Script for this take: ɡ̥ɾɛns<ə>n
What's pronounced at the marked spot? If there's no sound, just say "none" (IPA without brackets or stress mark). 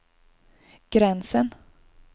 ə